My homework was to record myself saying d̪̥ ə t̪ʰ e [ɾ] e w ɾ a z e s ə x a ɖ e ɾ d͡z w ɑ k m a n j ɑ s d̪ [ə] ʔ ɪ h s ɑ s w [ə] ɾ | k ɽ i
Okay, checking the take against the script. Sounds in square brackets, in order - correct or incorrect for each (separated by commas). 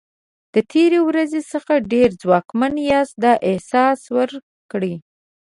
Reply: correct, incorrect, correct